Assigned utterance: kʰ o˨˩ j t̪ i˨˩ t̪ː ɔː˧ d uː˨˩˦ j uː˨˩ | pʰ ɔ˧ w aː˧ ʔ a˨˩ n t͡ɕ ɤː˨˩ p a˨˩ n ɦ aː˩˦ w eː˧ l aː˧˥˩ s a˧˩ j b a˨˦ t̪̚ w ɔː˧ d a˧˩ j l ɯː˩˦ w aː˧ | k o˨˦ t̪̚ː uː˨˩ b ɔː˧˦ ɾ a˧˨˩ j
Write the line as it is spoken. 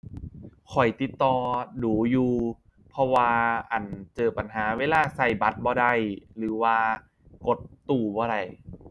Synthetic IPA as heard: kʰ ɔ˨˩ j t̪ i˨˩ t̪ː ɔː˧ d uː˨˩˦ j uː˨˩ | pʰ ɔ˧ w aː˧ ʔ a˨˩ n t͡ɕ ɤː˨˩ p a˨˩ n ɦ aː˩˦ w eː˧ l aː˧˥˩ s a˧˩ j b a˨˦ t̪̚ b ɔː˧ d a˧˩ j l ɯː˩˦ w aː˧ | k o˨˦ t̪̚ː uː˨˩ b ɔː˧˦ ɾ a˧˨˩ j